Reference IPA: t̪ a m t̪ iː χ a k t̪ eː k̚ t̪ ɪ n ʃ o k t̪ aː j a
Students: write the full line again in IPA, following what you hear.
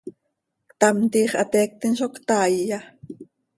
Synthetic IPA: t̪ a m t̪ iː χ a t̪ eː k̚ t̪ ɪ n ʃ o k t̪ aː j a